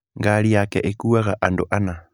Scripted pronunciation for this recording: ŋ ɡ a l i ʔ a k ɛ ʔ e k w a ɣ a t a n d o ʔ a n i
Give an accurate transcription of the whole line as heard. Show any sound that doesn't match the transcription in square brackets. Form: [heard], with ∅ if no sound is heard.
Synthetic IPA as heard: ŋ ɡ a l i [∅] a k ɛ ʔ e k [u] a ɣ a [ʔ] a n d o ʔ a n [a]